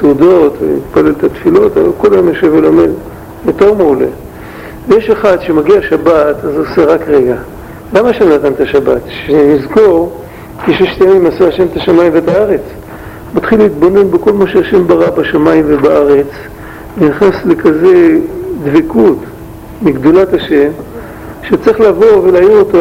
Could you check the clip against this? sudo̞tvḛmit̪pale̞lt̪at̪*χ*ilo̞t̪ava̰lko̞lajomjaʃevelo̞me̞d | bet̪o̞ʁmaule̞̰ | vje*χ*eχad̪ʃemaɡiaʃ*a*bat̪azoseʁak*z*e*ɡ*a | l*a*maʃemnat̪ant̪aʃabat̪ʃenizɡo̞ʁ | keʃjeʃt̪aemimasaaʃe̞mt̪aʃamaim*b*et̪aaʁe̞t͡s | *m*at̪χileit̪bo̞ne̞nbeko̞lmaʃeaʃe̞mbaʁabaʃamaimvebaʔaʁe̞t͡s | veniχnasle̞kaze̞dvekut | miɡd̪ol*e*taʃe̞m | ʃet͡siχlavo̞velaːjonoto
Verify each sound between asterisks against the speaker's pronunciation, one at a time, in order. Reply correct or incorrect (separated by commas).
incorrect, incorrect, correct, incorrect, correct, correct, incorrect, correct, incorrect